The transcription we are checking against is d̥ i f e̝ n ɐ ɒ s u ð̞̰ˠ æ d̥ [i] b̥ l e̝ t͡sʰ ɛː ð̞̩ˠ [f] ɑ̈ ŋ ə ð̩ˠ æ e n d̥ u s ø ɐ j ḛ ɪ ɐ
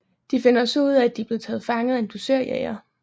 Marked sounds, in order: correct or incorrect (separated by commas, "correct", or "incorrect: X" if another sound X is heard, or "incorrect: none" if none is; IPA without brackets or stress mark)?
correct, correct